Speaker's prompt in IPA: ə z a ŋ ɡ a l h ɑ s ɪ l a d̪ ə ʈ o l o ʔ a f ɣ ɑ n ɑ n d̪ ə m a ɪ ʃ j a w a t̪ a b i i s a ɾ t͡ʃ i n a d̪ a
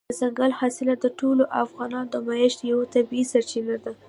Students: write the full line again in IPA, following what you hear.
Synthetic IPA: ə z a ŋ ɡ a l h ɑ s ɪ l a d̪ ə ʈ o l o ʔ a f ɣ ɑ n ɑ n d̪ ə m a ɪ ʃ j a w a t̪ a b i i s a ɾ t͡ʃ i n a d̪ a